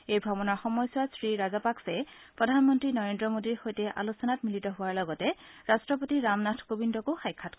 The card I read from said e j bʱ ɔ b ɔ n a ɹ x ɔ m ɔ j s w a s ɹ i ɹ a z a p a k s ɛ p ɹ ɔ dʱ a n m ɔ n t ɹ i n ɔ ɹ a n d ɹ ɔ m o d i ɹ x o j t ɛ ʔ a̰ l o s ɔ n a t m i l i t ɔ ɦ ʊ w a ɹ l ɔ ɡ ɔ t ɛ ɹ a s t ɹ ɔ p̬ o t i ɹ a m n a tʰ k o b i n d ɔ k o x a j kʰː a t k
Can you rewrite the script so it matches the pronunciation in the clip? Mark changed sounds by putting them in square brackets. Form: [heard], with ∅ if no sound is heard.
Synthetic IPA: e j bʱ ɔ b ɔ n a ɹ x ɔ m ɔ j s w a s ɹ i ɹ a z a p a k s ɛ p ɹ ɔ dʱ a n m ɔ n t ɹ i n ɔ ɹ [e] n d ɹ ɔ m o d i ɹ x o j t ɛ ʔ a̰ l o s ɔ n a t m i l i t ɔ ɦ ʊ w a ɹ l ɔ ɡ ɔ t ɛ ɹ a s t ɹ ɔ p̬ o t i ɹ a m n a tʰ k o b i n d ɔ k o x a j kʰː a t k

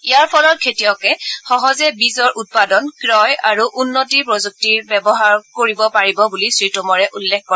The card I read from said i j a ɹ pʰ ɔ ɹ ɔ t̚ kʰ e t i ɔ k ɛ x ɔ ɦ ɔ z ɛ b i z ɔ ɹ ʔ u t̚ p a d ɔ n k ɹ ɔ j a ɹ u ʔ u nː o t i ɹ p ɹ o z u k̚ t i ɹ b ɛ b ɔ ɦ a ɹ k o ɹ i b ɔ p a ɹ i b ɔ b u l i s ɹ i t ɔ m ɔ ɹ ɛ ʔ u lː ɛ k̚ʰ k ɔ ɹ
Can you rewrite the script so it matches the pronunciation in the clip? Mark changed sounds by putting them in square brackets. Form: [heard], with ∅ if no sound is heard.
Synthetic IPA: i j a ɹ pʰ ɔ [l] ɔ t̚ kʰ e t i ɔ k ɛ x ɔ ɦ ɔ z ɛ b i z ɔ ɹ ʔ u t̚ p a d ɔ n k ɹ ɔ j a ɹ u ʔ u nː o t i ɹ p ɹ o z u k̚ t i ɹ b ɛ b ɔ ɦ a ɹ k o ɹ i b ɔ p a ɹ i b ɔ b u l i s ɹ i t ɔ m ɔ ɹ ɛ ʔ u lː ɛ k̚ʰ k ɔ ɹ

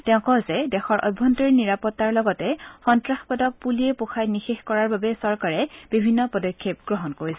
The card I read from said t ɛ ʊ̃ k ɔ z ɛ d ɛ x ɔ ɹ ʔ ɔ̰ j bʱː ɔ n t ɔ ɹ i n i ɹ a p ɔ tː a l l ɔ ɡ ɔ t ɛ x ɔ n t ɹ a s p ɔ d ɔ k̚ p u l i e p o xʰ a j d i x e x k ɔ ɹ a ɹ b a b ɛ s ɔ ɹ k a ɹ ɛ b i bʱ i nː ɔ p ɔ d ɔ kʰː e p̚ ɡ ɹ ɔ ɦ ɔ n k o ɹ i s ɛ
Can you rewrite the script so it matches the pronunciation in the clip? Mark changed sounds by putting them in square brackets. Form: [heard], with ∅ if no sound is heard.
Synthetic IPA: t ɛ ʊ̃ k ɔ z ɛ d ɛ x ɔ ɹ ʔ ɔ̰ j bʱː ɔ n t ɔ ɹ i n i ɹ a p ɔ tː a [ɹ] l ɔ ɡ ɔ t ɛ x ɔ n t ɹ a [x] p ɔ d ɔ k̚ p u l i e p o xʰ a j [n] i x e x k ɔ ɹ a ɹ b a b ɛ s ɔ ɹ k a ɹ ɛ b i bʱ i nː ɔ p ɔ d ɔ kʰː e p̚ ɡ ɹ ɔ ɦ ɔ n k o ɹ i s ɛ

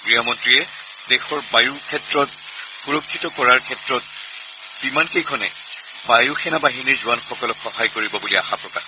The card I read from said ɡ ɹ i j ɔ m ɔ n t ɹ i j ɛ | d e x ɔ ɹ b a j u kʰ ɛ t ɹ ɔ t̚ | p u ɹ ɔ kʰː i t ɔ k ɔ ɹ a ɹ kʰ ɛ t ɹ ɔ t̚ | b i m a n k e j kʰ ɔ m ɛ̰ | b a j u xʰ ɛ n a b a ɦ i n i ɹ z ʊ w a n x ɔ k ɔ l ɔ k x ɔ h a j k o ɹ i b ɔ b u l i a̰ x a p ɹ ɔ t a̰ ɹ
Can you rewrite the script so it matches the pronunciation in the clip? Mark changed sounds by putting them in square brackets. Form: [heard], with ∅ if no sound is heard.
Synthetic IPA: ɡ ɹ i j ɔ m ɔ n t ɹ i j ɛ | d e x ɔ ɹ b a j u kʰ ɛ t ɹ ɔ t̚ | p u ɹ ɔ kʰː i t ɔ k ɔ ɹ a ɹ kʰ ɛ t ɹ ɔ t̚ | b i m a n k e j kʰ ɔ [n] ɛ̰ | b a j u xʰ ɛ n a b a ɦ i n i ɹ z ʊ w a n x ɔ k ɔ l ɔ k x ɔ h a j k o ɹ i b ɔ b u l i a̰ x a p ɹ ɔ [k] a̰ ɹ

